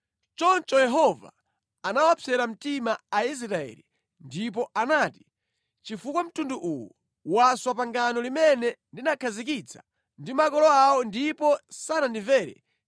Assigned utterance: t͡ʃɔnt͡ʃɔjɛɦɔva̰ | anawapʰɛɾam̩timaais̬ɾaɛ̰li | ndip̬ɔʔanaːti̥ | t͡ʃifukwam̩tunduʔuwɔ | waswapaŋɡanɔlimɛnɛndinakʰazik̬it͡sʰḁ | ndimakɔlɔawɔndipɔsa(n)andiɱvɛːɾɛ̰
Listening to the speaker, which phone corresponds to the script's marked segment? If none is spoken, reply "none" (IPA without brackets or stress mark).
n